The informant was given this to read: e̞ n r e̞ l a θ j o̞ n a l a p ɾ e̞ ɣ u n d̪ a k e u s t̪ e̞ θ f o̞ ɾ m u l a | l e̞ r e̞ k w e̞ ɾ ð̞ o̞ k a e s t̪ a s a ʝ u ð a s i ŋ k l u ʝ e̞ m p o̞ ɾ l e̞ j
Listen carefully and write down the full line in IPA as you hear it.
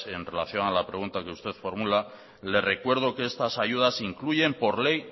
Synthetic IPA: e̞ n r e̞ l a θ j o̞ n a l a p ɾ e̞ ɣ u n t̪ a k e u s t̪ e̞ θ f o̞ ɾ m u l a | l e̞ r e̞ k w e̞ ɾ ð̞ o̞ k e e s t̪ a s a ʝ u ð a s i ŋ k l u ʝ e̞ m p o̞ ɾ l e̞ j

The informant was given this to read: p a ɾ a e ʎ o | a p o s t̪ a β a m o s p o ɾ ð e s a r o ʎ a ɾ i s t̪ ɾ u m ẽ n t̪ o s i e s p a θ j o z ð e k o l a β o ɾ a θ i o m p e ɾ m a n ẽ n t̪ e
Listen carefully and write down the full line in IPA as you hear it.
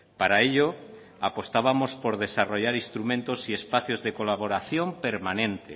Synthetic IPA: p a ɾ a e ʎ o | a p o s t̪ a β a m o s p o ɾ ð e s a r o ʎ a ɾ i s t̪ ɾ u m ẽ n t̪ o s i e s p a θ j o z ð e k o l a β o ɾ a θ j o m p e ɾ m a n ẽ n t̪ e

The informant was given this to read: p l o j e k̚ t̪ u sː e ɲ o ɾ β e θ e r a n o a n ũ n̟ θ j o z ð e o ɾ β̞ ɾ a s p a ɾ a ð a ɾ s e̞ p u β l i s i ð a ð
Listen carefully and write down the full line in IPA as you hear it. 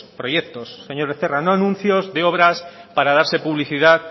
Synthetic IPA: p ɾ o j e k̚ t̪ o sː e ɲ o ɾ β e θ e r a n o a n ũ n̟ θ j o z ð e o β̞ ɾ a s p a ɾ a ð a ɾ s e̞ p u β l i θ i ð a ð

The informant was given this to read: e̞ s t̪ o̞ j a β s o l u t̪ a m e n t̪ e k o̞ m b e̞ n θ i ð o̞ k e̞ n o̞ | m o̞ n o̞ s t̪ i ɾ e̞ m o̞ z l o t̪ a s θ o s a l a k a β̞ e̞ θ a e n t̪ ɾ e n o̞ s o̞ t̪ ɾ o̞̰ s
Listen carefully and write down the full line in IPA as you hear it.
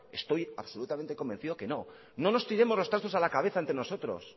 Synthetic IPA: e̞ s t̪ o̞ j a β s o l u t̪ a m e n t̪ e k o̞ m b e̞ n θ i ð o̞ k e̞ n o̞ | n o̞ n o̞ s t̪ i ɾ e̞ m o̞ z l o t̪ a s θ o s a l a k a β̞ e̞ θ a e n t̪ ɾ e n o̞ s o̞ t̪ ɾ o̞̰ s

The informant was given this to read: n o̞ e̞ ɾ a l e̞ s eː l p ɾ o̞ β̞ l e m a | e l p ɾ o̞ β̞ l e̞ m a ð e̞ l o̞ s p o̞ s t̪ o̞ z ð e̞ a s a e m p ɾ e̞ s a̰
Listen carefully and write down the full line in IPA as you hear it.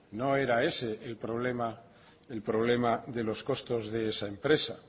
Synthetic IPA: n o̞ e̞ ɾ a e̞ s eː l p ɾ o̞ β̞ l e m a | e l p ɾ o̞ β̞ l e̞ m a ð e̞ l o̞ s k o̞ s t̪ o̞ z ð e̞ e s a e m p ɾ e̞ s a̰

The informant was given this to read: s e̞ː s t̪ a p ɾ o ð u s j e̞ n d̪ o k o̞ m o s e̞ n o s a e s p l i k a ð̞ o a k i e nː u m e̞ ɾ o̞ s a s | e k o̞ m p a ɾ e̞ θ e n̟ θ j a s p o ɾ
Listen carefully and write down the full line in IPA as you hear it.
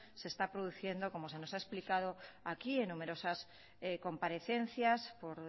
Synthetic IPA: s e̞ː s t̪ a p ɾ o ð u θ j e̞ n d̪ o k o̞ m o s e̞ n o s a e s p l i k a ð̞ o a k i e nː u m e̞ ɾ o̞ s a s | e k o̞ m p a ɾ e̞ θ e n̟ θ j a s p o ɾ

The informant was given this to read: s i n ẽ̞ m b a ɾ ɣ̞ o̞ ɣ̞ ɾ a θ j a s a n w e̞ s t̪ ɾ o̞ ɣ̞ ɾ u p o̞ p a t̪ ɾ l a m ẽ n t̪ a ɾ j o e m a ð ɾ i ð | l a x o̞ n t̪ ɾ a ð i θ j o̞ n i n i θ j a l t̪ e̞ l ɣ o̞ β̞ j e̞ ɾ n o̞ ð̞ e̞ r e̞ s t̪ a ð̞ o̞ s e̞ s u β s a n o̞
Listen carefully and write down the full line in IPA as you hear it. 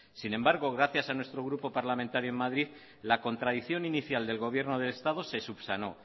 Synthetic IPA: s i n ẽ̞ m b a ɾ ɣ̞ o̞ ɣ̞ ɾ a θ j a s a n w e̞ s t̪ ɾ o̞ ɣ̞ ɾ u p o̞ p a ɾ l a m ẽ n t̪ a ɾ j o e m a ð ɾ i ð | l a k o̞ n t̪ ɾ a ð i θ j o̞ n i n i θ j a l d̪ e̞ l ɣ o̞ β̞ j e̞ ɾ n o̞ ð̞ e̞ l e̞ s t̪ a ð̞ o̞ s e̞ s u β s a n o̞

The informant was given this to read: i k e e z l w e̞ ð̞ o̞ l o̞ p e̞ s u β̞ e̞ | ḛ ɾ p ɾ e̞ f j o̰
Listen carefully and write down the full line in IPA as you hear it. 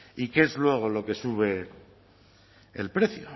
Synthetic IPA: i k e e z l w e̞ ɣ̞ o̞ l o̞ k e̞ s u β̞ e̞ | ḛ l p ɾ e̞ θ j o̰

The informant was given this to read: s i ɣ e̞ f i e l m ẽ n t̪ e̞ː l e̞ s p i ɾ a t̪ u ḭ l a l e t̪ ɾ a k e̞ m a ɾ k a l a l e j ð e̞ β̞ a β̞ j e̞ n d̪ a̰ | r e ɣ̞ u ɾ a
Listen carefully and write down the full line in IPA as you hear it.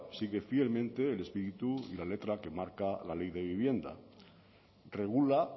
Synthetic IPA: s i ɣ e̞ f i e l m ẽ n t̪ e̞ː l e̞ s p i ɾ i t̪ u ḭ l a l e t̪ ɾ a k e̞ m a ɾ k a l a l e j ð e̞ β̞ i β̞ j e̞ n d̪ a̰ | r e ɣ̞ u l a

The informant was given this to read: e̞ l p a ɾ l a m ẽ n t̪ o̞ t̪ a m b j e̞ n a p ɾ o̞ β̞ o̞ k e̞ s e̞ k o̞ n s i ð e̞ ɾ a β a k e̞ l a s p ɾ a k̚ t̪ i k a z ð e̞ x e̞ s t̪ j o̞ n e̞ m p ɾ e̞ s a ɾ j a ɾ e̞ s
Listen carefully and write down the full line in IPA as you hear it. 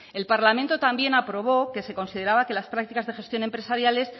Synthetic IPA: e̞ l p a ɾ l a m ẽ n t̪ o̞ t̪ a m b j e̞ n a p ɾ o̞ β̞ o̞ k e̞ s e̞ k o̞ n s i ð e̞ ɾ a β a k e̞ l a s p ɾ a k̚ t̪ i k a z ð e̞ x e̞ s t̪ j o̞ n e̞ m p ɾ e̞ s a ɾ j a l e̞ s

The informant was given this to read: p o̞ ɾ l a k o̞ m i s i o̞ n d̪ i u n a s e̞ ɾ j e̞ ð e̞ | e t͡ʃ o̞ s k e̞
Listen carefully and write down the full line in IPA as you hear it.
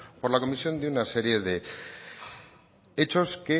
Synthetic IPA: p o̞ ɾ l a k o̞ m i s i o̞ n d̪ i u n a s e̞ ɾ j e̞ ð e̞ | e t͡ʃ o̞ s k e̞

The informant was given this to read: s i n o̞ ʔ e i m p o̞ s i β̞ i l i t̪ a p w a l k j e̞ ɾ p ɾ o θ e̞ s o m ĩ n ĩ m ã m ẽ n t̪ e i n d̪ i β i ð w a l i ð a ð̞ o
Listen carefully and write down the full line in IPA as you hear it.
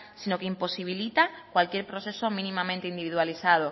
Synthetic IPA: s i n o̞ k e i m p o̞ s i β̞ i l i t̪ a k w a l k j e̞ ɾ p ɾ o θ e̞ s o m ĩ n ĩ m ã m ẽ n t̪ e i n d̪ i β i ð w a l i θ a ð̞ o

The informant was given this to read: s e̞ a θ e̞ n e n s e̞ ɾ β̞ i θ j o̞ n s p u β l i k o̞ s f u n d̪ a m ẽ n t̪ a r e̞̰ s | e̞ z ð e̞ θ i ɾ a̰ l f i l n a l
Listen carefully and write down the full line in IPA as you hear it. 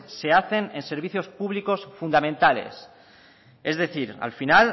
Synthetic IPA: s e̞ a θ e̞ n e n s e̞ ɾ β̞ i θ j o̞ s p u β l i k o̞ s f u n d̪ a m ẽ n t̪ a l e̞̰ s | e̞ z ð e̞ θ i ɾ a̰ l f i n a l

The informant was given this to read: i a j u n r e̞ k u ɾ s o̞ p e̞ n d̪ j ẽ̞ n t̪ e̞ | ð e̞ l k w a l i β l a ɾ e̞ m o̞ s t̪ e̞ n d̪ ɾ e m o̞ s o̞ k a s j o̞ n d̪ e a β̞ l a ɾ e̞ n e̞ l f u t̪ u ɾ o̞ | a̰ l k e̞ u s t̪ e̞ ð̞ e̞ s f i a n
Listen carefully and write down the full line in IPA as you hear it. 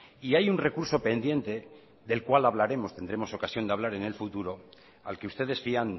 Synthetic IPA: i a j u n r e̞ k u ɾ s o̞ p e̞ n d̪ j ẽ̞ n t̪ e̞ | ð e̞ l k w a l a β l a ɾ e̞ m o̞ s t̪ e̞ n d̪ ɾ e m o̞ s o̞ k a s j o̞ n d̪ e a β̞ l a ɾ e̞ n e̞ l f u t̪ u ɾ o̞ | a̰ l k e̞ u s t̪ e̞ ð̞ e̞ s f i a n

